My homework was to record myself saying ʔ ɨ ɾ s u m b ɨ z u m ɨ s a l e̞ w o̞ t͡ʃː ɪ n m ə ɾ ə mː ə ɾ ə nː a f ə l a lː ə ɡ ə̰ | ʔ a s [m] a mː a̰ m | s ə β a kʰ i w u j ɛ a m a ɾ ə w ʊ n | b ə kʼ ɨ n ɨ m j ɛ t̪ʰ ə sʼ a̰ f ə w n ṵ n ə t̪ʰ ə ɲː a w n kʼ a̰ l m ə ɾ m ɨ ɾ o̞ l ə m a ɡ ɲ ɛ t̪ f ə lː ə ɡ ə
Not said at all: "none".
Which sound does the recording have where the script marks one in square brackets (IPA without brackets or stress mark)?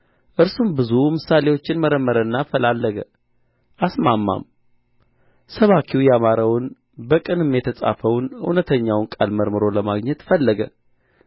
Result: m